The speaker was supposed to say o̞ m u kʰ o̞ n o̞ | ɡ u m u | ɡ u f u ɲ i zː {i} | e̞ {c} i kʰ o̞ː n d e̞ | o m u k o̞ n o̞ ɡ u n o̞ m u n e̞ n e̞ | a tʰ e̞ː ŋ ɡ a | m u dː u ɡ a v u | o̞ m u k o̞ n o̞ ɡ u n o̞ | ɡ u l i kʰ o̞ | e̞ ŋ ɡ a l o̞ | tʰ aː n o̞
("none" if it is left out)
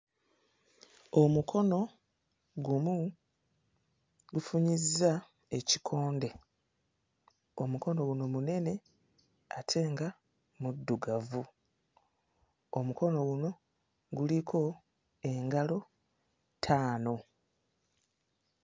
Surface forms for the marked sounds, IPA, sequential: a, c

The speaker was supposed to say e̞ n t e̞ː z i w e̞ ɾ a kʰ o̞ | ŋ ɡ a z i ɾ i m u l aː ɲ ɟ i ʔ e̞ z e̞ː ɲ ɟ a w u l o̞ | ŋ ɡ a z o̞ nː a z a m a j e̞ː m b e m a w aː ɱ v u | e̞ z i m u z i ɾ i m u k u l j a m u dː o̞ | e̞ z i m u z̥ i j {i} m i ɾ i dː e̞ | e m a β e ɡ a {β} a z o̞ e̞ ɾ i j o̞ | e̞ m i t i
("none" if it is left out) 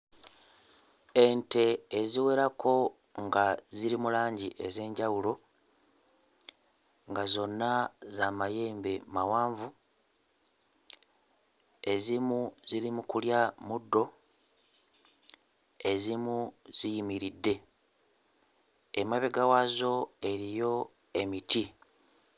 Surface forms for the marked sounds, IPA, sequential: i, w

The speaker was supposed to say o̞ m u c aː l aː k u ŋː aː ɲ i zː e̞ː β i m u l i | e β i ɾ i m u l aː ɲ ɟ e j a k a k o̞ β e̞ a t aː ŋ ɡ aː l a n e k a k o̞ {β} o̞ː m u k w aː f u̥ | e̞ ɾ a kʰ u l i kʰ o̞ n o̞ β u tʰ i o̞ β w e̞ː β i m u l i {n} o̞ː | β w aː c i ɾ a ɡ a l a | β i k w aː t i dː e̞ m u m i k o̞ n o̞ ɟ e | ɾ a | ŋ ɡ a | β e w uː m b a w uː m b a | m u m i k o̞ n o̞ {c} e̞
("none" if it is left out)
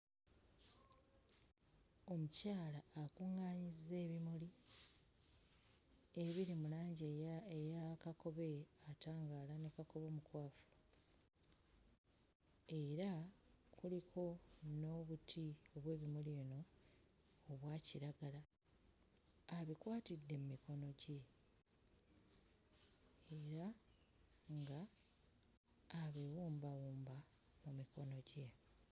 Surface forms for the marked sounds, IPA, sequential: β, n, ɟ

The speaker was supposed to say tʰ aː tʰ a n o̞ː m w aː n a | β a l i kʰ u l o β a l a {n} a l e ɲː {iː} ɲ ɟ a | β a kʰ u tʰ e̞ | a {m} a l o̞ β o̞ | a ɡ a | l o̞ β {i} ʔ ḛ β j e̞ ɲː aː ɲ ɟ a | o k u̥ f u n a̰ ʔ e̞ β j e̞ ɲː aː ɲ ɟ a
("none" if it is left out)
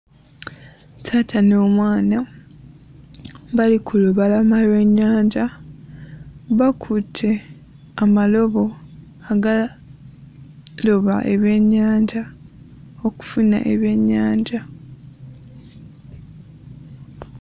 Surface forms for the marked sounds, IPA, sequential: m, aː, m, a

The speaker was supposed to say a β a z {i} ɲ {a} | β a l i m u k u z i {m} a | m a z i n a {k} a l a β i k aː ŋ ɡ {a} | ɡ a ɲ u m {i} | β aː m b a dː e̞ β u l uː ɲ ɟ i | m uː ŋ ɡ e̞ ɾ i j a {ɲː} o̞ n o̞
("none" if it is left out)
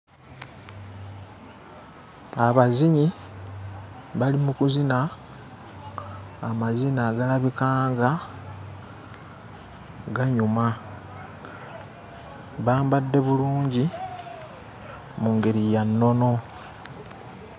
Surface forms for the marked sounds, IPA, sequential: i, i, n, ɡ, a, a, nː

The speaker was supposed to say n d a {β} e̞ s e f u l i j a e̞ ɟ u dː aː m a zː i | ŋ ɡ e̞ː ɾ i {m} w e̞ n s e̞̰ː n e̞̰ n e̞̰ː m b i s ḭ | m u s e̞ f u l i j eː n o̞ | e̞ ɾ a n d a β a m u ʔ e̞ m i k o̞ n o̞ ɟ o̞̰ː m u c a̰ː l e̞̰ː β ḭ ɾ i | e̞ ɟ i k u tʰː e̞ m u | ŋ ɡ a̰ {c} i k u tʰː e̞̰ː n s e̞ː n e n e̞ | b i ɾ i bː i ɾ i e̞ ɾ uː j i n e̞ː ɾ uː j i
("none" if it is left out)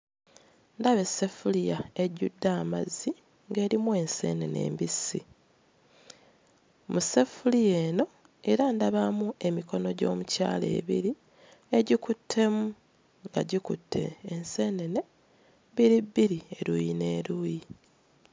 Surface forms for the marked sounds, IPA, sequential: β, m, ɟ

